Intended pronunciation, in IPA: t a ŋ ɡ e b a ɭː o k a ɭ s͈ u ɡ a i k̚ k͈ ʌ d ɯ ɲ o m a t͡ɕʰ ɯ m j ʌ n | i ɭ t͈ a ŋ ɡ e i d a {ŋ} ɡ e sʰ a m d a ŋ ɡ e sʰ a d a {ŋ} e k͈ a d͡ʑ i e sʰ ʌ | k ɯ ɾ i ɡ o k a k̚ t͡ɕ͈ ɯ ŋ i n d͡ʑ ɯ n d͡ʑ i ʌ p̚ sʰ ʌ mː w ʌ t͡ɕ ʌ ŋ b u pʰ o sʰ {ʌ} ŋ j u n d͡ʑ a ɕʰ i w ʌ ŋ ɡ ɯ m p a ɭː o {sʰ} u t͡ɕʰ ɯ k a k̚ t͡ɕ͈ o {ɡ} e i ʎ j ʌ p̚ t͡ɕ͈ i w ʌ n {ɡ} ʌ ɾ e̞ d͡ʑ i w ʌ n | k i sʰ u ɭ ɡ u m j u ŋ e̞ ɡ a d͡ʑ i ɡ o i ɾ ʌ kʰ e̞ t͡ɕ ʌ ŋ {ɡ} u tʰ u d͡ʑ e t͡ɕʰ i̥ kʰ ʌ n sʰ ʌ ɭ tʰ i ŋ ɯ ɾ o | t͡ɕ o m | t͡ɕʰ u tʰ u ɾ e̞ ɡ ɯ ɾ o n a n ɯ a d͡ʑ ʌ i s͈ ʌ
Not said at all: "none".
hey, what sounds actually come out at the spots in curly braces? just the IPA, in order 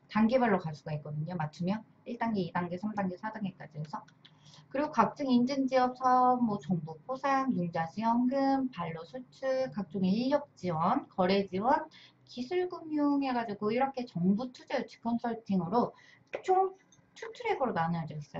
ŋ, ŋ, a, sʰ, ŋ, k, b

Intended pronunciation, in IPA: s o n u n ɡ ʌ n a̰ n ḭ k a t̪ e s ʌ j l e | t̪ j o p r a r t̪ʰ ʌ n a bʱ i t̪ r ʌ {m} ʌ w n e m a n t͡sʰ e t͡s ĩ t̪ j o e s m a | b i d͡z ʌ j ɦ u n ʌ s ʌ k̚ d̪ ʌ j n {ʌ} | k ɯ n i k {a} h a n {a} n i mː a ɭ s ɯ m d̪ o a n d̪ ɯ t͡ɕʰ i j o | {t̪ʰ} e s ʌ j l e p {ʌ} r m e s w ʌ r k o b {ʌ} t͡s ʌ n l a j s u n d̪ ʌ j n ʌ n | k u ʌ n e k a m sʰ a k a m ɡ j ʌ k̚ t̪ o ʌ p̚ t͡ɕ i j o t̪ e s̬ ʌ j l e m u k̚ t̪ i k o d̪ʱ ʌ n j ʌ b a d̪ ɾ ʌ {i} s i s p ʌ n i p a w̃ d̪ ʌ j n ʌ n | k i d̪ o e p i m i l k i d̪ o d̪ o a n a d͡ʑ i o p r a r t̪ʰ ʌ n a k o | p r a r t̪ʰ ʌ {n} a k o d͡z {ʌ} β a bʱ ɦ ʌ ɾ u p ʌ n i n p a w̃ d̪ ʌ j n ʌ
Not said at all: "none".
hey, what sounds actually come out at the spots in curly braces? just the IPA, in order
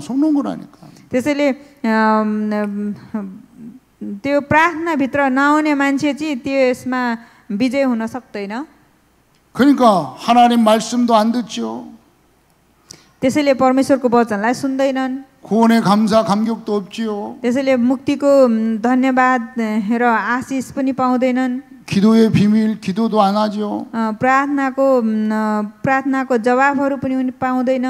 n, ʌ, a, a, t̪, ʌ, ʌ, a, n, ʌ

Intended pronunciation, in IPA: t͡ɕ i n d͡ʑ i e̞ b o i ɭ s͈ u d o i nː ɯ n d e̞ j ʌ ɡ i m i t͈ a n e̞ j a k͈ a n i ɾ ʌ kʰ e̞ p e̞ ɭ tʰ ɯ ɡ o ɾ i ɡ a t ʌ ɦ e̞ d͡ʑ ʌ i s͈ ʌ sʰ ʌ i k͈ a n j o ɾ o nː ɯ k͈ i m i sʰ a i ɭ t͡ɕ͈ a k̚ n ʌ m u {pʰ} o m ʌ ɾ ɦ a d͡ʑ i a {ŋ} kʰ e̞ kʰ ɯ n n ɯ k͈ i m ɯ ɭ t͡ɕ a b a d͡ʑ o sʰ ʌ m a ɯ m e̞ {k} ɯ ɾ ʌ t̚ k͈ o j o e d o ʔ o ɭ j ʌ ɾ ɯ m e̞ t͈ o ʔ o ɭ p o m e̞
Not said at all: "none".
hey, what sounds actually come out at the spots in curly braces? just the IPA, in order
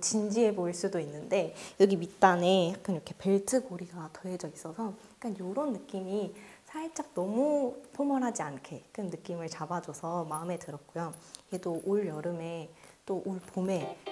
pʰ, n, t

